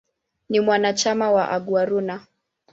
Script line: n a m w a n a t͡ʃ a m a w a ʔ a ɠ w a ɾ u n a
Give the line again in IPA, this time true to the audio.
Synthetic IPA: n i m w a n a t͡ʃ a m a w a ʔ a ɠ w a ɾ u n a